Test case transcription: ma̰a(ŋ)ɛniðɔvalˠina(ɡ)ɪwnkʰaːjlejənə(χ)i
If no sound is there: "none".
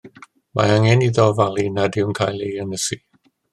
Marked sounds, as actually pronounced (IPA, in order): ŋ, d, s

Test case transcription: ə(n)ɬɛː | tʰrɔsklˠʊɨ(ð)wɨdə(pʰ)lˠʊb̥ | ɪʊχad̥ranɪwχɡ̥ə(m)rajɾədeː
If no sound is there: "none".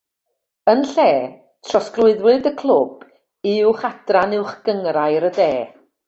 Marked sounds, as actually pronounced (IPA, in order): n, ð, kʰ, ŋ

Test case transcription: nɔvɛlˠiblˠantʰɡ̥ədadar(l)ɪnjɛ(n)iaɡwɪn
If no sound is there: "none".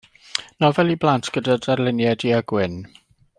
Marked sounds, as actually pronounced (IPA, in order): l, d

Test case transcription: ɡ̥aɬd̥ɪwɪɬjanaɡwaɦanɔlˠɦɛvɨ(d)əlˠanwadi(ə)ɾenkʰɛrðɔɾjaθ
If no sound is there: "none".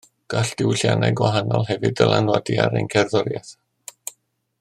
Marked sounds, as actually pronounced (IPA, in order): d, a

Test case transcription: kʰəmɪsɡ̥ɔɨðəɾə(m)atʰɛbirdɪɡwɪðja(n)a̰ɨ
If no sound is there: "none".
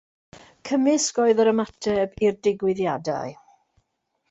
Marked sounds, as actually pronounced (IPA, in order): m, d

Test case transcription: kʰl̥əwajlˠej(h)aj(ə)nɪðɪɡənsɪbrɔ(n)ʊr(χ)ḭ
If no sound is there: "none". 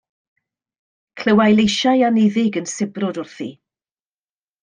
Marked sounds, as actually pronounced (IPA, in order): ʃ, a, d, θ

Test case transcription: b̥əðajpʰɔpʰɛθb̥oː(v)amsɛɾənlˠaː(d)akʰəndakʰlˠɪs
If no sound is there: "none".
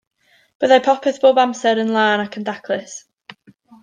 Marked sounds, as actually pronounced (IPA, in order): b, n

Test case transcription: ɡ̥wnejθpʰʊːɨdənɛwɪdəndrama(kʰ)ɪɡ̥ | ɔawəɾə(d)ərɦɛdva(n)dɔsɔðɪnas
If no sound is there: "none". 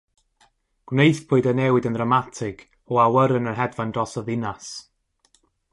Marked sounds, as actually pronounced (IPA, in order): tʰ, n, n

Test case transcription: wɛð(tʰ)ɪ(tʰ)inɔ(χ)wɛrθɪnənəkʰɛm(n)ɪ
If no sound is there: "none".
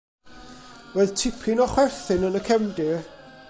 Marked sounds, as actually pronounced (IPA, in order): tʰ, pʰ, χ, d

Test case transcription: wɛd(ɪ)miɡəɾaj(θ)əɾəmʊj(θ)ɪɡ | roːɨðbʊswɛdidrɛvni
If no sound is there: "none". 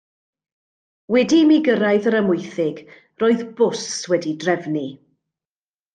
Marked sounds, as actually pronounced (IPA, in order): i, ð, θ

